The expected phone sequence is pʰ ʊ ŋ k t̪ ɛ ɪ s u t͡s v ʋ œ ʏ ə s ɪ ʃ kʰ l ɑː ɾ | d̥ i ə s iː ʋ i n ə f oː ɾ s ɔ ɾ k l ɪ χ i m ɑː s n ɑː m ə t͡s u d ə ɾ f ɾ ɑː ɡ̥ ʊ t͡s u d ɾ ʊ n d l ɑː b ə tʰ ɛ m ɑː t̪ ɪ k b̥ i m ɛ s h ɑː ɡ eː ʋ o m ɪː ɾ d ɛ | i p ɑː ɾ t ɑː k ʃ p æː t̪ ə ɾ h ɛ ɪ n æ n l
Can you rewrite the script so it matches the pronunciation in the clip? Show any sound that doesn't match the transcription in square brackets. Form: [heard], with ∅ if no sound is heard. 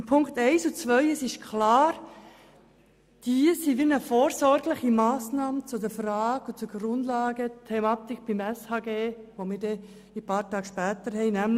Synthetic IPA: pʰ ʊ ŋ k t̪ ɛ ɪ s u t͡s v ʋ œ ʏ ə s ɪ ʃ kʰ l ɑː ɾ | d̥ i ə s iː ʋ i n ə f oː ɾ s ɔ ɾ [ɡ] l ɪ χ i m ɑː s n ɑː m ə t͡s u d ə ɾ f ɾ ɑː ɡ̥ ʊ t͡s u [ɡ] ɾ ʊ n d l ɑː [ɡ] ə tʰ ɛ m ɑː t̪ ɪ k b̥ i m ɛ s h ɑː ɡ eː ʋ o m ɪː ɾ d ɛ | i p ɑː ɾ t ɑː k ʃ p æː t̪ ə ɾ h ɛ ɪ n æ [m] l

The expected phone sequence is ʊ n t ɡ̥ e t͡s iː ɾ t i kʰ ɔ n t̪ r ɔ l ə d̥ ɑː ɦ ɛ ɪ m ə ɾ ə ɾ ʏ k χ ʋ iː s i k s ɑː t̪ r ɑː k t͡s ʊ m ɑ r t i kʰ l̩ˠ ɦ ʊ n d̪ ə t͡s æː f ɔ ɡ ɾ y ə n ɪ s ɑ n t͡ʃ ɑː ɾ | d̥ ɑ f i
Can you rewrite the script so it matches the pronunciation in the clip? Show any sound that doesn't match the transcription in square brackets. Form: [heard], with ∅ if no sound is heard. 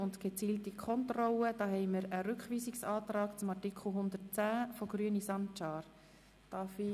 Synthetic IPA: ʊ n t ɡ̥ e t͡s iː [l] t i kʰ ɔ n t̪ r ɔ l ə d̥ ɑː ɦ ɛ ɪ m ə ɾ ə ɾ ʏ k χ ʋ iː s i k s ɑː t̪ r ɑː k t͡s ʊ m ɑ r t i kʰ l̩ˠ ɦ ʊ n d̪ ə t͡s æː f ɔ ɡ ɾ y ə n [i] s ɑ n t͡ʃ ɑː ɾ | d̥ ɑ f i

